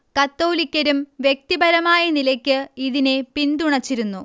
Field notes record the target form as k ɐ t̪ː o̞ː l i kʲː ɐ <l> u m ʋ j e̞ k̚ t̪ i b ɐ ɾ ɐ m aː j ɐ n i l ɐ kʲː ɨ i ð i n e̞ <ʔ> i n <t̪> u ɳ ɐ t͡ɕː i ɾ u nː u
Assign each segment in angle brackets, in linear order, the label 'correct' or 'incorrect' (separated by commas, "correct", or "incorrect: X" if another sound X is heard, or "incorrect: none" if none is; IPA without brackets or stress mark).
incorrect: ɾ, incorrect: p, incorrect: d̪